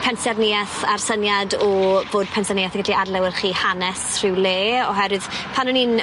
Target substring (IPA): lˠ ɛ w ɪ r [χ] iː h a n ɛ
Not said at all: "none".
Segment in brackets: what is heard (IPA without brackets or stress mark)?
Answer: χ